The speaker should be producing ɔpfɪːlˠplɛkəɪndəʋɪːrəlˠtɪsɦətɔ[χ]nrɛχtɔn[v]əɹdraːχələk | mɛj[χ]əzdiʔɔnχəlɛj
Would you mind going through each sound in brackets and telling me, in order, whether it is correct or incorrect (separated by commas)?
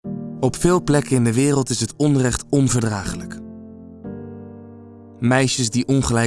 incorrect, correct, incorrect